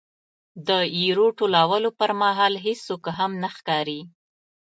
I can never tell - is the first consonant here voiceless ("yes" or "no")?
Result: no